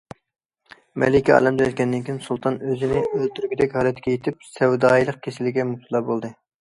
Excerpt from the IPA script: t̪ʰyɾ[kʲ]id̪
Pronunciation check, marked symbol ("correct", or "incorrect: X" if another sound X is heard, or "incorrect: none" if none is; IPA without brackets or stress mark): incorrect: ɡʲ